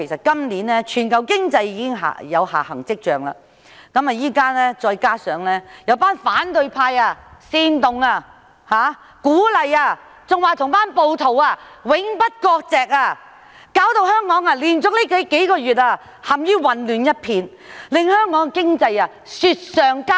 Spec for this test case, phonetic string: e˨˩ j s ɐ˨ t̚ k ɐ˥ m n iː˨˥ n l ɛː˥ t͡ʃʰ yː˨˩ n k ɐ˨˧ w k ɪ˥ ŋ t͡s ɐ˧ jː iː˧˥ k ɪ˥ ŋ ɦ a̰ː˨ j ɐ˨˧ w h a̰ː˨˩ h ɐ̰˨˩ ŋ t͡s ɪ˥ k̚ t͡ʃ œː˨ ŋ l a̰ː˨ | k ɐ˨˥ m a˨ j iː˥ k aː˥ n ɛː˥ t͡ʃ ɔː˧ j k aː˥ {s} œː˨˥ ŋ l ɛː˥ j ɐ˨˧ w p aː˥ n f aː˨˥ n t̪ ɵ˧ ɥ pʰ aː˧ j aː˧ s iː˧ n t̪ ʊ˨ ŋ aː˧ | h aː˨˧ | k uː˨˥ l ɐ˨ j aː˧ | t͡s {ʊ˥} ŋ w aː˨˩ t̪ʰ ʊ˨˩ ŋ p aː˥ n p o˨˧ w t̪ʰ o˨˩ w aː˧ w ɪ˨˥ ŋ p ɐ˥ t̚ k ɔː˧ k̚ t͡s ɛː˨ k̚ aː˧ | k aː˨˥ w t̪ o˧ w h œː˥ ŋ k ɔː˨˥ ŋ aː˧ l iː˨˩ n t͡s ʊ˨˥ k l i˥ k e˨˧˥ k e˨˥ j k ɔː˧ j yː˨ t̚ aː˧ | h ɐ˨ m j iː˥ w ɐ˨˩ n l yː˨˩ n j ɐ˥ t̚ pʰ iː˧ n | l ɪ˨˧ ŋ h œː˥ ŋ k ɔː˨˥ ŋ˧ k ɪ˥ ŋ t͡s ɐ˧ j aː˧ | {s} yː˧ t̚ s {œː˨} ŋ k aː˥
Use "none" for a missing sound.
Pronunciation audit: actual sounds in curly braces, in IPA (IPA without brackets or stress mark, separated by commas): s, ʊ˨, s, œː˨